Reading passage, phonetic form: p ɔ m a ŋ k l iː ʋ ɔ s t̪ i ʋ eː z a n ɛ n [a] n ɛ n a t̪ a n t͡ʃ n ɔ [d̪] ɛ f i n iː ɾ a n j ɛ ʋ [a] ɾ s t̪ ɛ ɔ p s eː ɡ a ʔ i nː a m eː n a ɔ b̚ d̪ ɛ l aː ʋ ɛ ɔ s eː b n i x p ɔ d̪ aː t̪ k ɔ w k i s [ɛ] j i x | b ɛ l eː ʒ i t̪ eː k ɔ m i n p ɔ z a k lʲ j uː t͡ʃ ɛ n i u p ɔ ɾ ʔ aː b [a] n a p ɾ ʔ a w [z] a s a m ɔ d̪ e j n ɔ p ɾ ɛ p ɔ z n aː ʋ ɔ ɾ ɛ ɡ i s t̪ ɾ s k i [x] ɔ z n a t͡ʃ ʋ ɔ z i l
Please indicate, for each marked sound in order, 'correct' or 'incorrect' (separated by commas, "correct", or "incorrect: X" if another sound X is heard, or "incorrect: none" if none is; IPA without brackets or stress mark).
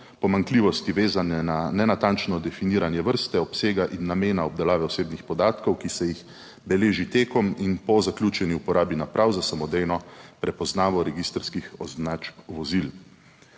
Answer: correct, correct, incorrect: ə, correct, incorrect: i, correct, correct